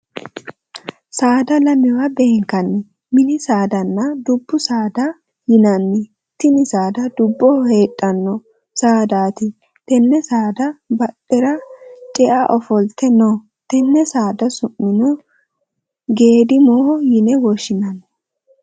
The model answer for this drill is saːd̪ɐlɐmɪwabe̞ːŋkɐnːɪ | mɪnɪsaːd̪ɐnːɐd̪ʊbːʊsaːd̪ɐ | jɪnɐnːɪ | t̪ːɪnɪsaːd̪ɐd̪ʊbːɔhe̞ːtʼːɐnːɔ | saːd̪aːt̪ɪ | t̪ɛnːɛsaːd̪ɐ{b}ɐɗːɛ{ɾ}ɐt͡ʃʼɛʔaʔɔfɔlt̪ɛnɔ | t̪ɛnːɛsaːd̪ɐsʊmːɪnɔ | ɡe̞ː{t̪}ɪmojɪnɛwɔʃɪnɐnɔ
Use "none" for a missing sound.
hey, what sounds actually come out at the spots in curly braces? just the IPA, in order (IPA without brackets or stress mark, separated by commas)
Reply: b, ɾ, d̪